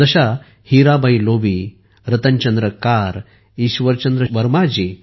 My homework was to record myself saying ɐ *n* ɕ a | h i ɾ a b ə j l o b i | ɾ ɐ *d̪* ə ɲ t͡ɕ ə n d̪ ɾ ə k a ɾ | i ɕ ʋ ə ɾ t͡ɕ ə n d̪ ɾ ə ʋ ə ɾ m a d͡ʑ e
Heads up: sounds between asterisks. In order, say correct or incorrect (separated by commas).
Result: incorrect, incorrect